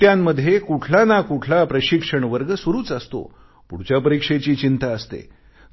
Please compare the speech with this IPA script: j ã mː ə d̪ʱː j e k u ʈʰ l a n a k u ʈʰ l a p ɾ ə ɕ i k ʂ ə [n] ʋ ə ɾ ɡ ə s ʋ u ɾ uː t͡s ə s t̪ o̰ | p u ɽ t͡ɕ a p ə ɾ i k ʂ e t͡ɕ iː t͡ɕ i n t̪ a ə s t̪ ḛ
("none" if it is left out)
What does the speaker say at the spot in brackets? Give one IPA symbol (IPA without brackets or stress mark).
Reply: ɳ